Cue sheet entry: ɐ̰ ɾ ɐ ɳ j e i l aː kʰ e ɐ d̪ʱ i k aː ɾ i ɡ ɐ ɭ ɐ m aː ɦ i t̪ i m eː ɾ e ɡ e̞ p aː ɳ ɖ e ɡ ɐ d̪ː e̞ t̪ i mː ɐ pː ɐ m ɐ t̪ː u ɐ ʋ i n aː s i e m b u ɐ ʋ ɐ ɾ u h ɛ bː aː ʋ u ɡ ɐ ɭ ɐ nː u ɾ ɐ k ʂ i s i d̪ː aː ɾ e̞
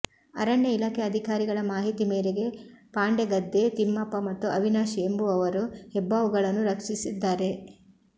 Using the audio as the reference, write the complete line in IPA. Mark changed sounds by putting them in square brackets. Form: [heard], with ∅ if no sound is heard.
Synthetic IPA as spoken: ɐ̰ ɾ ɐ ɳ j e i l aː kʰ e ɐ d̪ʱ i k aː ɾ i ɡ ɐ ɭ ɐ m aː ɦ i t̪ i m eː ɾ e ɡ e̞ p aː ɳ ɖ e ɡ ɐ d̪ː e̞ t̪ i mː ɐ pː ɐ m ɐ t̪ː u ɐ ʋ i n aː [ʃ] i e m b u ɐ ʋ ɐ ɾ u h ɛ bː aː ʋ u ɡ ɐ ɭ ɐ nː u ɾ ɐ k ʂ i s i d̪ː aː ɾ e̞